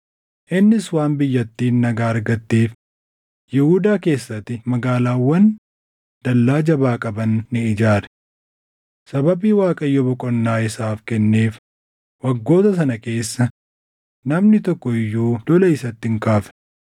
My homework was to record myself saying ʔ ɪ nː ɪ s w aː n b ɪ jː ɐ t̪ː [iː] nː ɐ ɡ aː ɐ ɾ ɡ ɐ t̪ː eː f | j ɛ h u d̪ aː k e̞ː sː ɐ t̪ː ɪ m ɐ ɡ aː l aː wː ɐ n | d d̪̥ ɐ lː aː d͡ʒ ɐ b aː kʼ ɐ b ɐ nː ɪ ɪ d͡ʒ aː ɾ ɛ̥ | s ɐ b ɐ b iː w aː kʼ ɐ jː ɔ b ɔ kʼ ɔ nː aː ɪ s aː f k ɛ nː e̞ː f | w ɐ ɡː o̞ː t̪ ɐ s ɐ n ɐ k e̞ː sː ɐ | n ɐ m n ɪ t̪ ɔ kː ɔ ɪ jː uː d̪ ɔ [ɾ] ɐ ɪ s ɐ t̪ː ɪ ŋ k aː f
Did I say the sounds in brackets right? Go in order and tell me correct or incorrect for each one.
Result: correct, incorrect: l

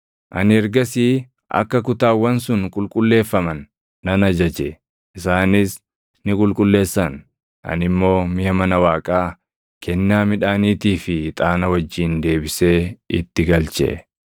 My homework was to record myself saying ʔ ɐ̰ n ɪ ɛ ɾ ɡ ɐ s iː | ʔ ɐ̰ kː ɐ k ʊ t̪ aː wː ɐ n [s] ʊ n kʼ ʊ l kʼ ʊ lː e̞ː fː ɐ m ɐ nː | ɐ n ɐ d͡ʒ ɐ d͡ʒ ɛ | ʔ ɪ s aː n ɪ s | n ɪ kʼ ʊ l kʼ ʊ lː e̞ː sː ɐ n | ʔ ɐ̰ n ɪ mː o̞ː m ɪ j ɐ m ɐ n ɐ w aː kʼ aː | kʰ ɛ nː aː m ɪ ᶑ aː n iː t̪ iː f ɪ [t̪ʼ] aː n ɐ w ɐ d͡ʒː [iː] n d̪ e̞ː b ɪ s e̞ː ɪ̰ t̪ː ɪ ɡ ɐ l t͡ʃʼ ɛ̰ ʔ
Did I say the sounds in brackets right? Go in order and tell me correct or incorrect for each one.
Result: correct, correct, correct

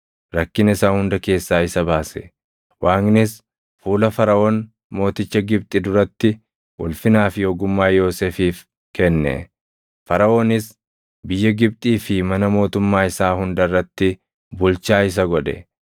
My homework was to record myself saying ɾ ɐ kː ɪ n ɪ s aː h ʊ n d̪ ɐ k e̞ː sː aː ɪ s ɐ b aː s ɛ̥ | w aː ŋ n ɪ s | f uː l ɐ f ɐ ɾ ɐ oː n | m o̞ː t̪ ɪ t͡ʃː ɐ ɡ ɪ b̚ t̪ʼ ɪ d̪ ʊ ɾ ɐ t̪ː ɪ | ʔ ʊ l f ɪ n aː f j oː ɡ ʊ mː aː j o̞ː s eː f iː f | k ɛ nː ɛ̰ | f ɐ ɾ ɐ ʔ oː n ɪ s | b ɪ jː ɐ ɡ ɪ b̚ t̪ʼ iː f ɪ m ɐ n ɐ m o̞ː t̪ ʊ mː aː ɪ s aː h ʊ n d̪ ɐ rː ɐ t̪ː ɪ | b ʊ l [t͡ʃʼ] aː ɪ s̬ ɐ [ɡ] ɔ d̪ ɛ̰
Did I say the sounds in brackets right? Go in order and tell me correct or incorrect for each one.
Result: incorrect: t͡ʃ, correct

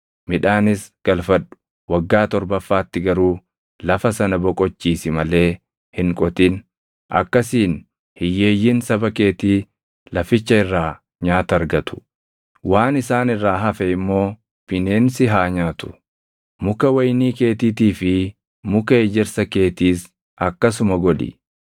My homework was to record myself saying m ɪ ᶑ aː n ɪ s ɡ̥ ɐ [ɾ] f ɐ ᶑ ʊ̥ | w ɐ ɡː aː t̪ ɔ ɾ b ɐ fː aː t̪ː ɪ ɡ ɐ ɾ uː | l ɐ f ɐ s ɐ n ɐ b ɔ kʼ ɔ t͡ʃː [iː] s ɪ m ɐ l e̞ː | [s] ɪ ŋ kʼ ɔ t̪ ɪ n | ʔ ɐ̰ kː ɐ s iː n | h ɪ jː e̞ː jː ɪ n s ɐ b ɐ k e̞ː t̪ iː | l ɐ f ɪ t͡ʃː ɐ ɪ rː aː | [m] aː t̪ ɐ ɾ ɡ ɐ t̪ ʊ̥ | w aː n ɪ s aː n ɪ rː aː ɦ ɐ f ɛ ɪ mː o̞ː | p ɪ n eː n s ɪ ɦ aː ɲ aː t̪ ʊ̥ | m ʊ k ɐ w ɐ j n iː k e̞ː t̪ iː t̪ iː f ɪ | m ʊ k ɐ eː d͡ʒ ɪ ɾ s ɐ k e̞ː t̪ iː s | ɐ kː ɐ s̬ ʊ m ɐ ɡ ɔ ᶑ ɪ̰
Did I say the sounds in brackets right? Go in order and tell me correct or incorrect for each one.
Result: incorrect: l, correct, incorrect: h, incorrect: ɲ

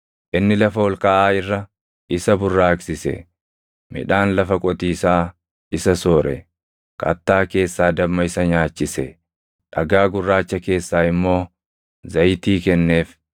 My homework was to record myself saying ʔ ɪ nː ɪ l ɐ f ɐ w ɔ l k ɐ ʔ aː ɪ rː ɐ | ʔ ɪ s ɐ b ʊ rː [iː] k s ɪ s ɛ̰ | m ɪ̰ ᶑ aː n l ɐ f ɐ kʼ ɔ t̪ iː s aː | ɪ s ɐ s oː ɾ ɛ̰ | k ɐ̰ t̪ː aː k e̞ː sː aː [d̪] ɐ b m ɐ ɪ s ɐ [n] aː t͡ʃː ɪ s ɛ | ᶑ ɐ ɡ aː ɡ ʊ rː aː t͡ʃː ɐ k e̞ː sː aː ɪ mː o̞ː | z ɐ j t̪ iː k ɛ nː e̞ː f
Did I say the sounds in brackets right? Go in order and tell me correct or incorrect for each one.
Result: incorrect: aː, correct, incorrect: ɲ

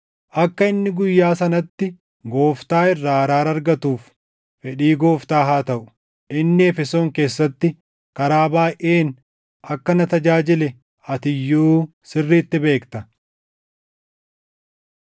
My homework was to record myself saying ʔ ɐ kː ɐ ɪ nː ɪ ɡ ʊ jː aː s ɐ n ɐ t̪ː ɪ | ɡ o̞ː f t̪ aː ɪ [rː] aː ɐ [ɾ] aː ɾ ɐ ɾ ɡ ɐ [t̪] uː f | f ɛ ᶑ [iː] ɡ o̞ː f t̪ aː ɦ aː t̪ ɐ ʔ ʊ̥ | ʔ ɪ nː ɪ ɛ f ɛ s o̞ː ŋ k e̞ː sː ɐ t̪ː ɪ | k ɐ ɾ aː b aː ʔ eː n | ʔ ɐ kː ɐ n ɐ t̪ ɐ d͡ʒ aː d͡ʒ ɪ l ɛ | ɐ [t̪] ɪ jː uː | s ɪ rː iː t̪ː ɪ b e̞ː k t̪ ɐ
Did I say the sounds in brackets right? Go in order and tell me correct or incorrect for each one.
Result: correct, correct, correct, correct, correct

